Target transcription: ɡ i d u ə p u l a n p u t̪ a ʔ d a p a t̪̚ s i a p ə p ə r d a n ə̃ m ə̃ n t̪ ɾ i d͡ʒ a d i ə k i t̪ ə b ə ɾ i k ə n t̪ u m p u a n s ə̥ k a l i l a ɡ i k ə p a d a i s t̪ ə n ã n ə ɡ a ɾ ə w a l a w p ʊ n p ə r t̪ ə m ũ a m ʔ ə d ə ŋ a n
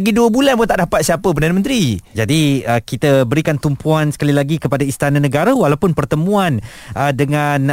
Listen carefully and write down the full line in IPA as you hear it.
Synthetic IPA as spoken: ɡ i d u ə b u l a n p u t̪ a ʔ d a p a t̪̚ s i a p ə p ə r d a n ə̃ m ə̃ n t̪ ɾ i d͡ʒ a d i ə k i t̪ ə b ə ɾ i k a n t̪ u m p u a n s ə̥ k a l i l a ɡ i k ə p a d a i s t̪ a n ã n ə ɡ a ɾ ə w a l a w p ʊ n p ə r t̪ ə m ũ a n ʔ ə d ə ŋ a n